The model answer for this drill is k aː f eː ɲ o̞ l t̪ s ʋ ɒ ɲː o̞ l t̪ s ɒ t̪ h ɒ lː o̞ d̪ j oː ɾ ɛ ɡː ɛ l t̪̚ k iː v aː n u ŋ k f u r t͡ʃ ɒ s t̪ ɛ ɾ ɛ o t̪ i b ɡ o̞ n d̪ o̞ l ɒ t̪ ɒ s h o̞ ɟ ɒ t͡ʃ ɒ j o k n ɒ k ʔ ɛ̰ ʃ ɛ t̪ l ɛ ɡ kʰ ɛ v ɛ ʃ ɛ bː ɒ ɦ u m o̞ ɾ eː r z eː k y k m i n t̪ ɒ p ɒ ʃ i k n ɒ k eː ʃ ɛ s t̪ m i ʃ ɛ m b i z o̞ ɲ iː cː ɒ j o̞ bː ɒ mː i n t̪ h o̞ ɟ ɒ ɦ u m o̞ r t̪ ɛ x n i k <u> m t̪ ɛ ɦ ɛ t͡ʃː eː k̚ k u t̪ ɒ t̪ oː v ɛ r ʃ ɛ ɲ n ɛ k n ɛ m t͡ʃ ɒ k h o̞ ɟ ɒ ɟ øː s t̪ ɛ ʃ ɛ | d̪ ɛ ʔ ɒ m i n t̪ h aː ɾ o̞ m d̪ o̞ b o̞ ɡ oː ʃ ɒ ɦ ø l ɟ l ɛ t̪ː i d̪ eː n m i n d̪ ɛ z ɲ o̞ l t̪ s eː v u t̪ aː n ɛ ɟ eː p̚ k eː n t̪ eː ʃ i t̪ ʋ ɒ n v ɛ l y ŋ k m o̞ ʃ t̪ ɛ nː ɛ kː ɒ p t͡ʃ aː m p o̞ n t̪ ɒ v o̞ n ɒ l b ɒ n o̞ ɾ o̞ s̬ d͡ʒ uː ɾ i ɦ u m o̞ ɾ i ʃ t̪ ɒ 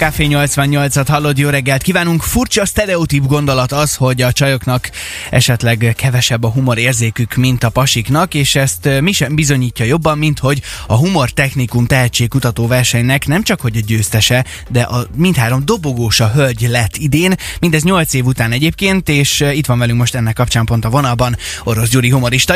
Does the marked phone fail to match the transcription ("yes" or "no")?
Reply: no